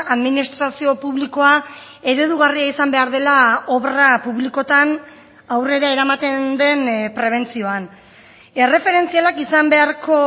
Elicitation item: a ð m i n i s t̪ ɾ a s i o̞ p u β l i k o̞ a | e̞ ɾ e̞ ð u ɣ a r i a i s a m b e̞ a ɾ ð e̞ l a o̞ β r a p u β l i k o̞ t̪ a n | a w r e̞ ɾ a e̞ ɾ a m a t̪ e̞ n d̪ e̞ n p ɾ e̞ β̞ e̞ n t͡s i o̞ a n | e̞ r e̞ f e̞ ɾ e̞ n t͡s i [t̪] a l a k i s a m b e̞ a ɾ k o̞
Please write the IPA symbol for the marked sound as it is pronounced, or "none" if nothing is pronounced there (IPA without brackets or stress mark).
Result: none